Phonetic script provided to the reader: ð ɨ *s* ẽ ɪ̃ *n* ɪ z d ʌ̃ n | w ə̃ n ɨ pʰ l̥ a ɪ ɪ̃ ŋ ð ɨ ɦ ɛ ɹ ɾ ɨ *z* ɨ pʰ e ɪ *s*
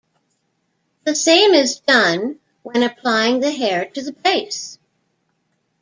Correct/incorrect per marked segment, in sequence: correct, incorrect: m, incorrect: ð, correct

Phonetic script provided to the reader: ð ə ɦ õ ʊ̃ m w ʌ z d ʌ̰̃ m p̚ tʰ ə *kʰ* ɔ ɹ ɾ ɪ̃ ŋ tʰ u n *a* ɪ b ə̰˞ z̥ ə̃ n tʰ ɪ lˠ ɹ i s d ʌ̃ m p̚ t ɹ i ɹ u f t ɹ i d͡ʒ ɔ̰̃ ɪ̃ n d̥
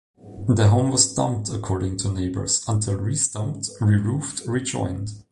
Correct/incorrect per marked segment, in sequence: correct, incorrect: e

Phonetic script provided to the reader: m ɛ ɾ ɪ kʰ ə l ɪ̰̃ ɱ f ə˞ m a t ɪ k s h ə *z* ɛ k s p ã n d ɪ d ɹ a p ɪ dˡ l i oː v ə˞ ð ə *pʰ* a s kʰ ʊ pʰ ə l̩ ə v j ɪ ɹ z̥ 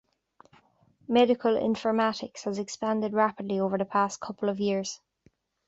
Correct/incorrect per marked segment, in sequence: correct, correct

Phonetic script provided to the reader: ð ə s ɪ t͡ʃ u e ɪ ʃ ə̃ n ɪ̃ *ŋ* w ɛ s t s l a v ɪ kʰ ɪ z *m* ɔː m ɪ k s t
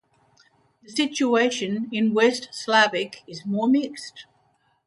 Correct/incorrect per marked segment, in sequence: incorrect: n, correct

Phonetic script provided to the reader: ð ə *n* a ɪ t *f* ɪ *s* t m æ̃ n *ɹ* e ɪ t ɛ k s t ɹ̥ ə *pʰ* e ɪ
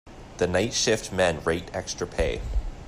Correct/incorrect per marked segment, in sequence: correct, incorrect: ʃ, incorrect: f, correct, correct

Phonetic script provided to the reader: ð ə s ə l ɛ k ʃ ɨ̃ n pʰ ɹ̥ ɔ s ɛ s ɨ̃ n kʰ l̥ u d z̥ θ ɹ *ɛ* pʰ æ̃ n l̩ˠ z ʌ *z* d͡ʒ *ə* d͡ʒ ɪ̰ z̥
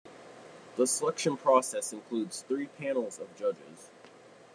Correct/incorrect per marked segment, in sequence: incorrect: i, incorrect: v, incorrect: ʌ

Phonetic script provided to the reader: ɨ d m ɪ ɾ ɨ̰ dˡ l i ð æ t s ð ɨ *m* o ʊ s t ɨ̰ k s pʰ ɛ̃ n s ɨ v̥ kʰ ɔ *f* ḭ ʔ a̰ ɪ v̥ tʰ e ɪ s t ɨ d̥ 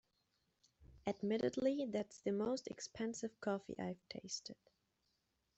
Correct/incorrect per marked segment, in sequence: correct, correct

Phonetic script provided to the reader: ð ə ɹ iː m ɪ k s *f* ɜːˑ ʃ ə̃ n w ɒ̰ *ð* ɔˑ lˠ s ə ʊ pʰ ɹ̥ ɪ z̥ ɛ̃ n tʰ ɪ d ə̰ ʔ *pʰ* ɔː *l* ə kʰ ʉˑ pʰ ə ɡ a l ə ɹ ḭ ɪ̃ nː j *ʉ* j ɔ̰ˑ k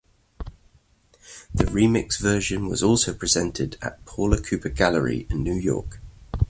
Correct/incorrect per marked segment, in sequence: incorrect: v, incorrect: z, correct, correct, incorrect: ʉː

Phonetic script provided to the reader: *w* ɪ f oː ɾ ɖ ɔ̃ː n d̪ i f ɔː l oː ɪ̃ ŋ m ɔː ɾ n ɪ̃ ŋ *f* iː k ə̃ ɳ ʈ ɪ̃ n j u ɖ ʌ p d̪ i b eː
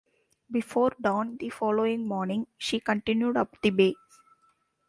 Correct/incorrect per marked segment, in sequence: incorrect: b, incorrect: ʃ

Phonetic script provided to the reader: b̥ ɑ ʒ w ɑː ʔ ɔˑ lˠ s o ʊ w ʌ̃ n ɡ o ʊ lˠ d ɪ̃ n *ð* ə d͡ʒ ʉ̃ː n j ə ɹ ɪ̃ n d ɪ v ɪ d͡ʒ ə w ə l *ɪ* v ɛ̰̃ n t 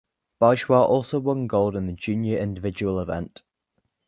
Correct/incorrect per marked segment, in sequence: correct, correct

